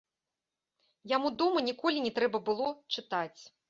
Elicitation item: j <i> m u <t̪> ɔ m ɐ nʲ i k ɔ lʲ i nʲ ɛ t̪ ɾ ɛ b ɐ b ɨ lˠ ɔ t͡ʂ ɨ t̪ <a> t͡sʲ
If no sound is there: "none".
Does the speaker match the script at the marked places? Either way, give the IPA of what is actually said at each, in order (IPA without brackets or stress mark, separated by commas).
a, d̪, a